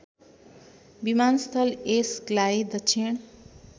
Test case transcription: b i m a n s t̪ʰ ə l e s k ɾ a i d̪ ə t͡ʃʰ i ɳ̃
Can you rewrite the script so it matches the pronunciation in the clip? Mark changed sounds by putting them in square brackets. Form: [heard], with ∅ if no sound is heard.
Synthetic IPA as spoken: b i m a n s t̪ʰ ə l e s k [l] a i d̪ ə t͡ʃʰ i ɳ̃